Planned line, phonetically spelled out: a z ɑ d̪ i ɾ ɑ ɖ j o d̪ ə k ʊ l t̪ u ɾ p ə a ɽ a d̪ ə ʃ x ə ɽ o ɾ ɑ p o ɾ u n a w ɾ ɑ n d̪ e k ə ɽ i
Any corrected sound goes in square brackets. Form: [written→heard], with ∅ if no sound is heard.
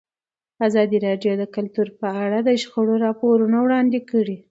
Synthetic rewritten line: a z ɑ d̪ i ɾ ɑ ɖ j o d̪ ə k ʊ l t̪ u ɾ p ə a ɽ a d̪ ə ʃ x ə ɽ o ɾ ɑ p o ɾ u n a w [ɾ→ɽ] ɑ n d̪ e k ə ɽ i

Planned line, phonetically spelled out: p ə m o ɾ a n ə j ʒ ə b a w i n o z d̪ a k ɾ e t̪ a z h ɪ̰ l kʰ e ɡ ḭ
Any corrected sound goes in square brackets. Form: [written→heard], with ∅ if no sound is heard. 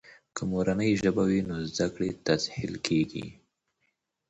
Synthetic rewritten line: [p→k] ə m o ɾ a n ə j ʒ ə b a w i n o z d̪ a k [ɾ→ɽ] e t̪ a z h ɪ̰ l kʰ e ɡ ḭ

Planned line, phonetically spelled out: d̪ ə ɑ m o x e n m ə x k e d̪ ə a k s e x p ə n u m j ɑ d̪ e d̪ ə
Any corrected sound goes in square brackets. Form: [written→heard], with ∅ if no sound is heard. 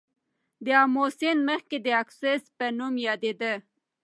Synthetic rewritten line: d̪ ə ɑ m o [x→s] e n m ə x k e d̪ ə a k s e [x→s] p ə n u m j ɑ d̪ e d̪ ə

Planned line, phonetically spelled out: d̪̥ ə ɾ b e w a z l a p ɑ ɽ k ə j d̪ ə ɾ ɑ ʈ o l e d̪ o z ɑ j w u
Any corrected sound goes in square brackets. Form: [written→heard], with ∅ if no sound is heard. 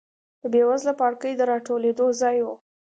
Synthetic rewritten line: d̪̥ ə [ɾ→∅] b e w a z l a p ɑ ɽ k ə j d̪ ə ɾ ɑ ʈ o l e d̪ o z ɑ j w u

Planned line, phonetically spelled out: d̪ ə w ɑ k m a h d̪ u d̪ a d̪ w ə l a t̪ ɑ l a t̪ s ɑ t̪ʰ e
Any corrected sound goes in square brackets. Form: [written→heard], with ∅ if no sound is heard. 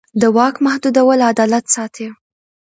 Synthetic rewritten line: d̪ ə w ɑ k m a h d̪ u d̪ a [d̪→∅] w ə l a [t̪→d̪] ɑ l a t̪ s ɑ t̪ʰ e

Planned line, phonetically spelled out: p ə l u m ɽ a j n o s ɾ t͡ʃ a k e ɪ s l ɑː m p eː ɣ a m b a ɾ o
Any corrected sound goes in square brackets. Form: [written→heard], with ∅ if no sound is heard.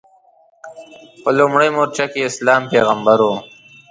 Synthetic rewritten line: p ə l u m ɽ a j [n→m] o [s→∅] ɾ t͡ʃ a k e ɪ s l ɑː m p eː ɣ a m b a ɾ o

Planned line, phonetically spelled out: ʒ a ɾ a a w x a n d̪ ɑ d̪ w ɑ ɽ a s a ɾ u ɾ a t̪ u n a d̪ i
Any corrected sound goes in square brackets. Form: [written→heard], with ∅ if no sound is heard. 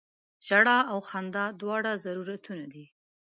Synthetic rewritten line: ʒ a [ɾ→ɽ] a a w x a n d̪ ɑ d̪ w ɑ ɽ a [s→z] a ɾ u ɾ a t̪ u n a d̪ i

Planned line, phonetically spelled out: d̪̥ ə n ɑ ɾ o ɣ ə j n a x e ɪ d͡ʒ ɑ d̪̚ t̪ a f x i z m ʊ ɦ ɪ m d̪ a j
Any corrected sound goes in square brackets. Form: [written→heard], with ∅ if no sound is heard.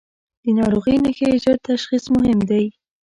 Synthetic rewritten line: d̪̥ ə n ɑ ɾ o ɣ ə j n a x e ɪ d͡ʒ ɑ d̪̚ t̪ a [f→ʃ] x i [z→s] m ʊ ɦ ɪ m d̪ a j

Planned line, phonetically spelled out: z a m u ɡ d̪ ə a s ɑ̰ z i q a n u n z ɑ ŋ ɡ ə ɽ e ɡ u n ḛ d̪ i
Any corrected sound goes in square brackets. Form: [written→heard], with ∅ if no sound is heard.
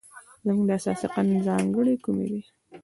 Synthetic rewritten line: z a m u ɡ d̪ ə a s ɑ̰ [z→s] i q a n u n z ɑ ŋ ɡ ə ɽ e [ɡ→k] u [n→m] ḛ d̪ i

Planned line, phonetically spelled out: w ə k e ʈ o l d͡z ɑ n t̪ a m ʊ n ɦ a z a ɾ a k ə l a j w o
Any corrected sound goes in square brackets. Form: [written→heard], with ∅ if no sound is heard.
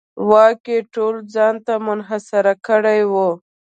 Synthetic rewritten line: w [ə→ɑ] k e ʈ o l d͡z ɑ n t̪ a m ʊ n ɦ a [z→s] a ɾ a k ə [l→ɽ] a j w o

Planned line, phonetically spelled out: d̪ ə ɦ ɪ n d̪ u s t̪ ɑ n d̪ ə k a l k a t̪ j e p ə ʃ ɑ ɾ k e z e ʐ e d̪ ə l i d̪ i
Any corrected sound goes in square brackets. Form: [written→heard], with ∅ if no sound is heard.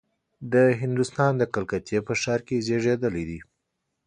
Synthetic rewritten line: d̪ ə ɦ ɪ n d̪ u s t̪ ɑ n d̪ ə k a l k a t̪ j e p ə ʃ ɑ ɾ k e z e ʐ e d̪ ə l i d̪ i

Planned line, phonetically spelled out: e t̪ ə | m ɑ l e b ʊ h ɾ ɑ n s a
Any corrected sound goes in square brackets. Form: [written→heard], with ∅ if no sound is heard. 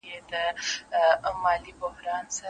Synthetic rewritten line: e [t̪→d̪] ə | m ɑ l [e→i] b ʊ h ɾ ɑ n s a

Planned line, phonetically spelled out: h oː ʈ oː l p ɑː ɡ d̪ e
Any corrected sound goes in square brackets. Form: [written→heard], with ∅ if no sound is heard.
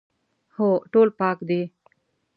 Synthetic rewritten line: h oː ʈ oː l p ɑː [ɡ→k] d̪ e

